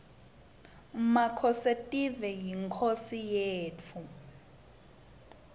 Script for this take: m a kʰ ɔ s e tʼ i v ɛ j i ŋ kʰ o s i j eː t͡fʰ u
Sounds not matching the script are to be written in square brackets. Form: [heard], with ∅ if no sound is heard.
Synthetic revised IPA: m a kʰ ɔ s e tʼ i v ɛ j i ŋ kʰ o s i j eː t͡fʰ u